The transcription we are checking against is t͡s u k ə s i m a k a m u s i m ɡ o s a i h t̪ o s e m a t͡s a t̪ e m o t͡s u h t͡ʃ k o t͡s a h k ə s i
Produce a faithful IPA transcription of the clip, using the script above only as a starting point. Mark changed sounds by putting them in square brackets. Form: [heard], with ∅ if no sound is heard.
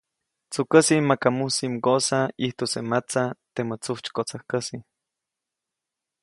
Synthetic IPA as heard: t͡s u k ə s i m a k a m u s i m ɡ o s a i h t̪ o s e m a t͡s a t̪ e m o t͡s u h t͡ʃ k o t͡s a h k ə s i